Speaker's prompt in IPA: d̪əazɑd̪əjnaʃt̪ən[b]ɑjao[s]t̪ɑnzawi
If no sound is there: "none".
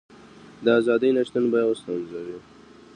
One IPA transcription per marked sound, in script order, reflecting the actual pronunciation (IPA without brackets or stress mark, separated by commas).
b, s